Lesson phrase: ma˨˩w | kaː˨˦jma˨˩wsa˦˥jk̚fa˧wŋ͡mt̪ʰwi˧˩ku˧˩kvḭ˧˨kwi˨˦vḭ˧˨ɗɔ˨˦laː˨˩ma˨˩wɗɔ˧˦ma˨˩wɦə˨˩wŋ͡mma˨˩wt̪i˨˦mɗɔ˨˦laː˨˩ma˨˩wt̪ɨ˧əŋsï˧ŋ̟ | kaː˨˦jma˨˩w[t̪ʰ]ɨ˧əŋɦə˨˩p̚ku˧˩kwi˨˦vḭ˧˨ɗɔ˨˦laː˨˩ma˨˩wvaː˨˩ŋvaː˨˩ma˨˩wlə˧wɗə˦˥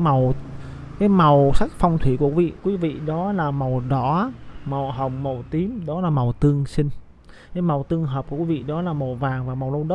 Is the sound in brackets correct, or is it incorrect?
incorrect